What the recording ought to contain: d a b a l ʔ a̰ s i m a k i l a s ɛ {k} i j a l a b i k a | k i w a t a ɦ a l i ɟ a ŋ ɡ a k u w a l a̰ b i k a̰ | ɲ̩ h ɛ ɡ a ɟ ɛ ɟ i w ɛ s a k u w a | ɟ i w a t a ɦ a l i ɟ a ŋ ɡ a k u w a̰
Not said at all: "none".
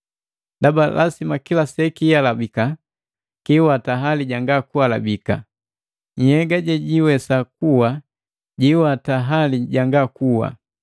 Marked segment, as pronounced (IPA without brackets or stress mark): k